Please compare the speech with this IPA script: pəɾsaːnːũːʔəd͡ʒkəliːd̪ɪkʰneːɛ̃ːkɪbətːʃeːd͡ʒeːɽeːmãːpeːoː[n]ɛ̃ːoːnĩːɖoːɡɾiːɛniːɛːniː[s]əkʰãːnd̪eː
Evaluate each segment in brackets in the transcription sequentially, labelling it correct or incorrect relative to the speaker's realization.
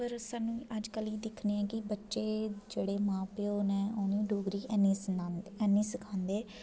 correct, correct

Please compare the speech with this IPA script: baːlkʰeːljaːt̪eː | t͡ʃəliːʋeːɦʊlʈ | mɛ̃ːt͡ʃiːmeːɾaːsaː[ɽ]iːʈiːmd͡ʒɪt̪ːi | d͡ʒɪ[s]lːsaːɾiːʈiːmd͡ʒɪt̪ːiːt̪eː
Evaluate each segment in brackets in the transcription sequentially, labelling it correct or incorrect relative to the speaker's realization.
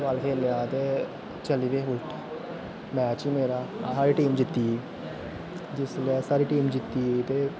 incorrect: ɾ, correct

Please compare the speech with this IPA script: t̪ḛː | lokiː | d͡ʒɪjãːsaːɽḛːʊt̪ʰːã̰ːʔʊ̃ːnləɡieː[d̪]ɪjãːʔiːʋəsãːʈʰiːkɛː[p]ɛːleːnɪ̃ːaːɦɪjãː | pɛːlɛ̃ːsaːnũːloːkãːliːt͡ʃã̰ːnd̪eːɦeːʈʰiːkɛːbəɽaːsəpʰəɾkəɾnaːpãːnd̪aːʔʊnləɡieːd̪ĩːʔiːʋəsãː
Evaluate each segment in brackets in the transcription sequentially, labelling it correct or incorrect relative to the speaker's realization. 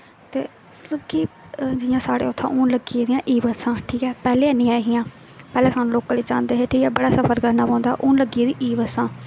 correct, correct

